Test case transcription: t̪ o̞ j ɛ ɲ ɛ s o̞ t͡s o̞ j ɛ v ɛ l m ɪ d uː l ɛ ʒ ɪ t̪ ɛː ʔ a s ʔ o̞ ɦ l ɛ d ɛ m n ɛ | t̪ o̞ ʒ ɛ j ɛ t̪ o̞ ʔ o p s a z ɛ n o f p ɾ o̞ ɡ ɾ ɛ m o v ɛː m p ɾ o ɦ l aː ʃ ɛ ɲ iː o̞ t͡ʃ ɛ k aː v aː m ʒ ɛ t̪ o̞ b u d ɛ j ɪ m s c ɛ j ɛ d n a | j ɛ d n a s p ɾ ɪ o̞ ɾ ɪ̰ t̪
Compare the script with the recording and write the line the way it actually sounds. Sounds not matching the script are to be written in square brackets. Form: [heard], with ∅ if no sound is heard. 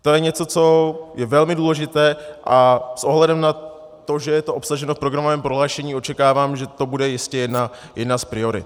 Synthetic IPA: t̪ o̞ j ɛ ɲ ɛ [t͡s] o̞ t͡s o̞ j ɛ v ɛ l m ɪ d uː l ɛ ʒ ɪ t̪ ɛː ʔ a s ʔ o̞ ɦ l ɛ d ɛ m n [a] | t̪ o̞ ʒ ɛ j ɛ t̪ o̞ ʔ o p s a [ʒ] ɛ n o f p ɾ o̞ ɡ ɾ [a] m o v ɛː m p ɾ o ɦ l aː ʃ ɛ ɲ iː o̞ t͡ʃ ɛ k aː v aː m ʒ ɛ t̪ o̞ b u d ɛ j ɪ [∅] s c ɛ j ɛ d n a | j ɛ d n a s p ɾ ɪ o̞ ɾ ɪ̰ t̪